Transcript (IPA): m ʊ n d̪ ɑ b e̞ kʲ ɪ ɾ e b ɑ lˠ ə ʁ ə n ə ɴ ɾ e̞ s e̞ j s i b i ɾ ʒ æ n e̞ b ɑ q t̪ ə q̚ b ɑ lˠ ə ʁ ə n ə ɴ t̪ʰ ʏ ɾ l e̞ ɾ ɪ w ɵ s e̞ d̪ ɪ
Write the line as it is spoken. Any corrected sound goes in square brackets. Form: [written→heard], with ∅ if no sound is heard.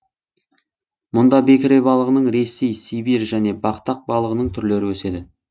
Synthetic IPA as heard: m ʊ n d̪ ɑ b e̞ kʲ ɪ ɾ e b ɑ lˠ ə ʁ ə n ə ɴ ɾ e̞ s e̞ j s i b i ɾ ʒ æ n e̞ b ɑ q t̪ [ə→ɑ] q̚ b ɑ lˠ ə ʁ ə n ə ɴ t̪ʰ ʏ ɾ l e̞ ɾ ɪ w ɵ s e̞ d̪ ɪ